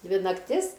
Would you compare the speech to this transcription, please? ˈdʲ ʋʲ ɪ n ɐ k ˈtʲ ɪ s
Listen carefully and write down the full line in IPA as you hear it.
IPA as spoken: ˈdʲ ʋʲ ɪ n ɐ k ˈtʲ ɪ s